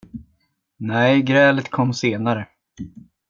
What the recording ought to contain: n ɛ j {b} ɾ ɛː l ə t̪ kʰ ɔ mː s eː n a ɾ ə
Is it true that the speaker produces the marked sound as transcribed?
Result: no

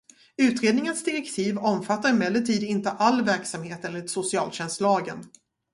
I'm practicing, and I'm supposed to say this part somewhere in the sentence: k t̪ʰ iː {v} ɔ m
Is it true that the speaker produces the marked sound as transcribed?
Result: yes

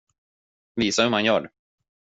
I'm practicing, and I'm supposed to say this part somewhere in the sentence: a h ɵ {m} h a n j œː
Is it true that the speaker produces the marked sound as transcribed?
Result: yes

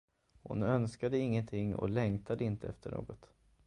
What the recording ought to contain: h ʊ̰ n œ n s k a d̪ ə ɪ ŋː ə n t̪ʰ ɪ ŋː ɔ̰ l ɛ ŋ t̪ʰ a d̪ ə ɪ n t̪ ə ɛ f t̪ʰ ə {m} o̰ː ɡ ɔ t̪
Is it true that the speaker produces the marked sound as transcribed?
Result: no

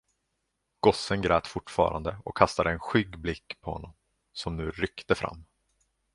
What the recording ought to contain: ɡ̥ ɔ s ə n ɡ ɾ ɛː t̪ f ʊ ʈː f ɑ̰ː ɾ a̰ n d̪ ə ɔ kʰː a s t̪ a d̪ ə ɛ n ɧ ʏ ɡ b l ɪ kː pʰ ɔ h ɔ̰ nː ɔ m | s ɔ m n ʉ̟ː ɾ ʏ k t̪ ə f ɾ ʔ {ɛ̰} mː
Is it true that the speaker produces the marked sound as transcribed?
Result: no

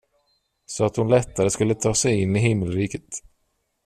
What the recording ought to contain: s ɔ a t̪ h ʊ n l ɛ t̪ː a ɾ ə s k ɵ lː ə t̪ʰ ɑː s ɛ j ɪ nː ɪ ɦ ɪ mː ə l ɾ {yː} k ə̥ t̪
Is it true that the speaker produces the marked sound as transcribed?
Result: no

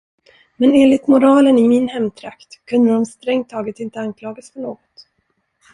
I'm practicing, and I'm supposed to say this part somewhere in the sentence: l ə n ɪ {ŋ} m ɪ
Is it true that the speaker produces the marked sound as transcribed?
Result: no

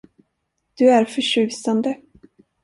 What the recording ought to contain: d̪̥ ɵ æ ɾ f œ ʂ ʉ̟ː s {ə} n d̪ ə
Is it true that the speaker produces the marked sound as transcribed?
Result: no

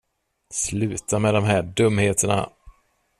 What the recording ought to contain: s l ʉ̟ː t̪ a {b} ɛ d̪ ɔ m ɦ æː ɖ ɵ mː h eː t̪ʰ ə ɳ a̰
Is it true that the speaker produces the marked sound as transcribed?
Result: no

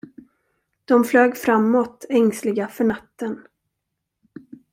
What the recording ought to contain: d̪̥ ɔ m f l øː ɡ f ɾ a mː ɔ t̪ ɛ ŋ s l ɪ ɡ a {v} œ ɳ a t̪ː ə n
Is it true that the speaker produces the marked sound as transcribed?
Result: no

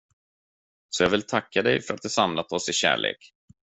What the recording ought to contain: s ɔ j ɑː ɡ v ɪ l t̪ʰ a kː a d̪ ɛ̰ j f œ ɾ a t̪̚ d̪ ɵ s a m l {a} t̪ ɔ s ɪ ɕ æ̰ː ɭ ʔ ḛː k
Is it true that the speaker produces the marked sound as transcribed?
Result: yes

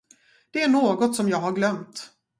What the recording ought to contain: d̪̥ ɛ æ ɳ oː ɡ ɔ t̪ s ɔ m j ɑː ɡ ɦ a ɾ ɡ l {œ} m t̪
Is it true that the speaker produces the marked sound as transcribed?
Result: yes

